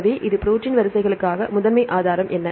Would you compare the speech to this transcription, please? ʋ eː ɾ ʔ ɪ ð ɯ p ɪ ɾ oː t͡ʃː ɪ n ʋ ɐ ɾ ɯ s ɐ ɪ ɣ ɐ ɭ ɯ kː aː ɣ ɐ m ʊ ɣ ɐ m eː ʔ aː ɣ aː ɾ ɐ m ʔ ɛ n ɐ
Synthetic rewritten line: ʋ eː ʔ ɪ ð ɯ p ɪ ɾ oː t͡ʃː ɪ n ʋ ɐ ɾ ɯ s ɐ ɪ ɣ ɐ ɭ ɯ kː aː ɣ ɐ m ʊ ð ɐ m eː ʔ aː ð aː ɾ ɐ m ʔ ɛ nː ɐ